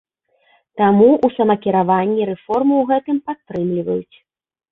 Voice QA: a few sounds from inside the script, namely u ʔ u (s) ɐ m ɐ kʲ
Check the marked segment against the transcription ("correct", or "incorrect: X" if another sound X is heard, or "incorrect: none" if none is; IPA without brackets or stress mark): correct